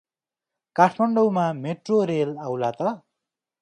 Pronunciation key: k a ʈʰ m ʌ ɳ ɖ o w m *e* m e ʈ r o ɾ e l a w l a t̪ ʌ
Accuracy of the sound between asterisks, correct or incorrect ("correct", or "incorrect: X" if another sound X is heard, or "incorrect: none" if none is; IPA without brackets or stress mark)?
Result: incorrect: a